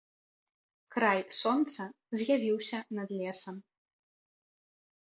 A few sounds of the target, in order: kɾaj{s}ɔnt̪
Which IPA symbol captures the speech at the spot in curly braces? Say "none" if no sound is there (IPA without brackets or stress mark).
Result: s